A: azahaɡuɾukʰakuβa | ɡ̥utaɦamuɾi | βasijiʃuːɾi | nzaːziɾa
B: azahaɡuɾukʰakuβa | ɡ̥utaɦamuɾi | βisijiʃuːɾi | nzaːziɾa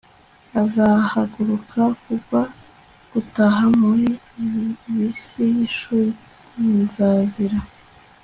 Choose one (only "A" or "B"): B